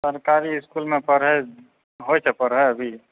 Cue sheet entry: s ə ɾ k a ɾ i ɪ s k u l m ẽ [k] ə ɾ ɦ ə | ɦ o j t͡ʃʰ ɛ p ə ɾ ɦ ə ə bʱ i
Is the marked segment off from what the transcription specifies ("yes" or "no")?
yes